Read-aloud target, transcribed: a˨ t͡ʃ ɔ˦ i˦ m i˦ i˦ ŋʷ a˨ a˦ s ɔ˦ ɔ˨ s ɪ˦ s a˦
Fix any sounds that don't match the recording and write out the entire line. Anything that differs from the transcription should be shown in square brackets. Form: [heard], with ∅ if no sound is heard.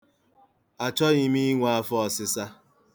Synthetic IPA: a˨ t͡ʃ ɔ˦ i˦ m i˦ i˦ ŋʷ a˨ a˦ [f] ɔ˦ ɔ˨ s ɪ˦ s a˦